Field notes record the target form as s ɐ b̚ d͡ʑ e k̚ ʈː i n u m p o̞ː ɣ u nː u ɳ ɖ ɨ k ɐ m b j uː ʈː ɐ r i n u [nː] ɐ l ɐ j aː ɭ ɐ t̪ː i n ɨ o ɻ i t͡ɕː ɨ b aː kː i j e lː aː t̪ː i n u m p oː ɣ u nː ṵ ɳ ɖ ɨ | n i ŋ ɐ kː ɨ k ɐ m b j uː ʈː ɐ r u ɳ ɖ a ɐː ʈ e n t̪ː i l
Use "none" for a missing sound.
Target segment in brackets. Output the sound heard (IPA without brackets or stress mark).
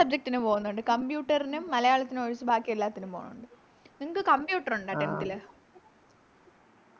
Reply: mː